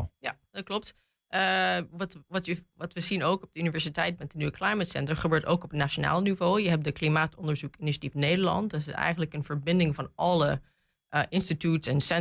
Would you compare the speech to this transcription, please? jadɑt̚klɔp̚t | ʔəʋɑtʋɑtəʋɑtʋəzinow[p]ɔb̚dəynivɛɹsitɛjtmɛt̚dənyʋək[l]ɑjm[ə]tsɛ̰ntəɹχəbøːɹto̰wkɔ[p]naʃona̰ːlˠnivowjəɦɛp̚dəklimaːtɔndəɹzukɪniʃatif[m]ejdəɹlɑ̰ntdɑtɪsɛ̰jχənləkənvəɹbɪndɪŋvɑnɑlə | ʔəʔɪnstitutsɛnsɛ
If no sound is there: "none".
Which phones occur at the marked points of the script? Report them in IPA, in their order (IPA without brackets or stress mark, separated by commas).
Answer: k, l, ə, p, n